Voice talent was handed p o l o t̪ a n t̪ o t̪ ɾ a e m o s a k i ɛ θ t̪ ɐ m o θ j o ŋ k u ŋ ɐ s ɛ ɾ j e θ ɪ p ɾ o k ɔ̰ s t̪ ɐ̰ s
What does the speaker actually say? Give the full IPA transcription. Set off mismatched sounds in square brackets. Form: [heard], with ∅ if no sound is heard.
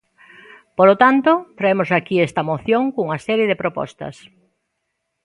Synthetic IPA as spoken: p o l o t̪ a n t̪ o t̪ ɾ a e m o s a k i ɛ [s] t̪ ɐ m o θ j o ŋ k u ŋ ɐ s ɛ ɾ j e [ð] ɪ p ɾ o [p] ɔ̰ s t̪ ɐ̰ s